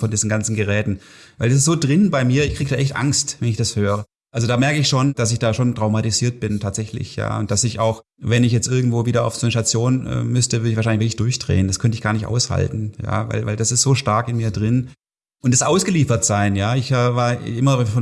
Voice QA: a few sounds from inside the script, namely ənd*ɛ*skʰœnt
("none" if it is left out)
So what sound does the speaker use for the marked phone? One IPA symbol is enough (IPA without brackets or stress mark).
a